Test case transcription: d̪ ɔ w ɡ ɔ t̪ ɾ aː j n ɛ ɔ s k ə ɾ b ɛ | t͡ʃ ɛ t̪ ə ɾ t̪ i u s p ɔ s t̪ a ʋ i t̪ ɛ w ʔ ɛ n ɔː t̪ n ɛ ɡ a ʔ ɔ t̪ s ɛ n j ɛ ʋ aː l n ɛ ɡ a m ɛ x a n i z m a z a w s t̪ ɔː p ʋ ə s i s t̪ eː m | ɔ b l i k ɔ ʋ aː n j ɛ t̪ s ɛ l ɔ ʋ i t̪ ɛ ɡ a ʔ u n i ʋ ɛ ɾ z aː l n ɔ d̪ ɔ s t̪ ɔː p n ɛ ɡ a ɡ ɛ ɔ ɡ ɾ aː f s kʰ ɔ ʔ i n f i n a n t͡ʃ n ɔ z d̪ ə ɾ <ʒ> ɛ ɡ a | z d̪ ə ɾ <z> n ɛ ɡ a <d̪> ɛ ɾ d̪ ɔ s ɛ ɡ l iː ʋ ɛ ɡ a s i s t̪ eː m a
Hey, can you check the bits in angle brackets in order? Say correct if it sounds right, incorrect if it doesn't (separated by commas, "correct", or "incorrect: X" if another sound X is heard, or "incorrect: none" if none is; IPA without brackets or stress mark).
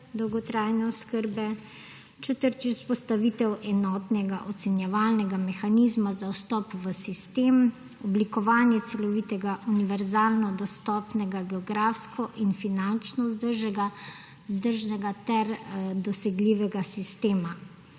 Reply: correct, incorrect: ʒ, incorrect: t̪